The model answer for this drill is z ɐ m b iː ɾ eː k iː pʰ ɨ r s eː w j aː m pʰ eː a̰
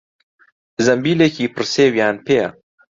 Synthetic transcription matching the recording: z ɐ m b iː l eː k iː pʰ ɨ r s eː w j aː n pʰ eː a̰